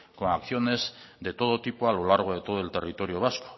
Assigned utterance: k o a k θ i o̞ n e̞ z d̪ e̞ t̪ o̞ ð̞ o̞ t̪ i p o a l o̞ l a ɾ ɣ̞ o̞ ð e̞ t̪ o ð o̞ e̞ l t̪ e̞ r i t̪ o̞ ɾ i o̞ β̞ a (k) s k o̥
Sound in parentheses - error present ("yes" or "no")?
yes